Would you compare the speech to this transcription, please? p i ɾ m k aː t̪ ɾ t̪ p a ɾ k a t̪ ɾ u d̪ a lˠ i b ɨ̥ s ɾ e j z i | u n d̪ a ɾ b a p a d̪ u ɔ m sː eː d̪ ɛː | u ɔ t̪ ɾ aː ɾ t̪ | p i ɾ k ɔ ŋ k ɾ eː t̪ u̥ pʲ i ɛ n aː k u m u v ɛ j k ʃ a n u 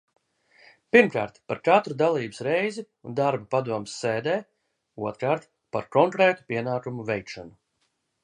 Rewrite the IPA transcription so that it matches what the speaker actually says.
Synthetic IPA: p i ɾ m k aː ɾ t̪ p a ɾ k a t̪ ɾ u d̪ a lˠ iː b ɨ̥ s ɾ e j z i | u n d̪ a ɾ b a p a d̪ u ɔ m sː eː d̪ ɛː | u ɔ t̪ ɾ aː ɾ t̪ | p a ɾ k ɔ ŋ k ɾ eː t̪ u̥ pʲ i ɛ n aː k u m u v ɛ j k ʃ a n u